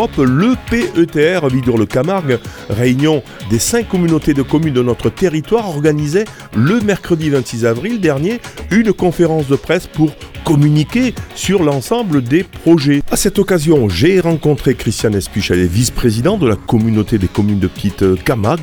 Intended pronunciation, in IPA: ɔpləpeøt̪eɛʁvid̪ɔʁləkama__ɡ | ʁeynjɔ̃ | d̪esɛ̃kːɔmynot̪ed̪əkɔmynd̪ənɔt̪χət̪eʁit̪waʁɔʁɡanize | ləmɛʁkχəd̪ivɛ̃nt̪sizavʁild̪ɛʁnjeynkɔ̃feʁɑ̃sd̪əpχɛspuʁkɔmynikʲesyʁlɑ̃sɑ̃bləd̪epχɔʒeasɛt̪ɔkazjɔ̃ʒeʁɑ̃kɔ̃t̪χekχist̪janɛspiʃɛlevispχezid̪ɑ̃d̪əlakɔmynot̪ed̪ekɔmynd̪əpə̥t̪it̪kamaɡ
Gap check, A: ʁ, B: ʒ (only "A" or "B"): A